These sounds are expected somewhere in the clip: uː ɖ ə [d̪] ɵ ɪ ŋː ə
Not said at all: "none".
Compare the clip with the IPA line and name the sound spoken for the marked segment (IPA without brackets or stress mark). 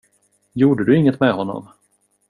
d̪